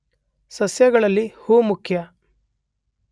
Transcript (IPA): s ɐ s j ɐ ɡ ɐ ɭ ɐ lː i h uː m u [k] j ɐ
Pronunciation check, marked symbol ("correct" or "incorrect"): incorrect